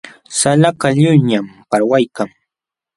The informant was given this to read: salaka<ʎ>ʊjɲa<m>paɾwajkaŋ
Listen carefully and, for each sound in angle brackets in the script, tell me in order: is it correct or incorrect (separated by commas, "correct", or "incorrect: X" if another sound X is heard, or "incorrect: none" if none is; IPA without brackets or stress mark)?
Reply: correct, correct